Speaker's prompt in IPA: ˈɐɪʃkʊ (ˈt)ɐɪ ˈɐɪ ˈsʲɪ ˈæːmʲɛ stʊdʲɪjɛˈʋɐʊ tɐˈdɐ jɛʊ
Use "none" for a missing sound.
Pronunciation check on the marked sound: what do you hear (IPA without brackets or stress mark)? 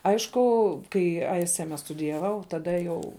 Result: k